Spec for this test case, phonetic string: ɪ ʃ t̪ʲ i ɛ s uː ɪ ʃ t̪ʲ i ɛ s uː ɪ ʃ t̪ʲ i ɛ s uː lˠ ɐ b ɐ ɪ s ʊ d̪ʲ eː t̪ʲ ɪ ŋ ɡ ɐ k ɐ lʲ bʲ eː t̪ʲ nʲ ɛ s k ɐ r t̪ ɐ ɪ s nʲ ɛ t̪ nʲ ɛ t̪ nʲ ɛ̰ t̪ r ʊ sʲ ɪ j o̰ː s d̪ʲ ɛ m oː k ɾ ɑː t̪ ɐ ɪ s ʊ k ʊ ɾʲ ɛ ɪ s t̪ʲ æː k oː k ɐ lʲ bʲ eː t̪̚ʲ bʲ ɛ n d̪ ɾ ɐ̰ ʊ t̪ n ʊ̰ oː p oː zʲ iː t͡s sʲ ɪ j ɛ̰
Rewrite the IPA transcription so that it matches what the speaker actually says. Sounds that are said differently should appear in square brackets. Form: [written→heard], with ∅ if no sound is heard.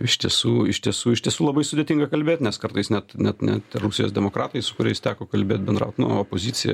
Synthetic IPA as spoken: ɪ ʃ t̪ʲ i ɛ s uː ɪ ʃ t̪ʲ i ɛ s uː ɪ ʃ t̪ʲ i ɛ s uː lˠ ɐ b ɐ ɪ s ʊ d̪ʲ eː t̪ʲ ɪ ŋ ɡ ɐ k ɐ lʲ bʲ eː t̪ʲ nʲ ɛ s k ɐ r t̪ ɐ ɪ s nʲ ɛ t̪ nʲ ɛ t̪ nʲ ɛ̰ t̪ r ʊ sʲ ɪ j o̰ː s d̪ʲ ɛ m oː k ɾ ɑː t̪ ɐ ɪ s ʊ k ʊ ɾʲ ɛ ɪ s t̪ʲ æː k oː k ɐ lʲ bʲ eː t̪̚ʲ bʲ ɛ n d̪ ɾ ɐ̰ ʊ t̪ n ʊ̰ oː p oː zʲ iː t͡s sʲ ɪ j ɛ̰